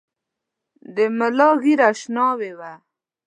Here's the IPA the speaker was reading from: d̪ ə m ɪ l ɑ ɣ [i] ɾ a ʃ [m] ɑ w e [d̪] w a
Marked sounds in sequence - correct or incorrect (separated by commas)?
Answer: correct, incorrect, incorrect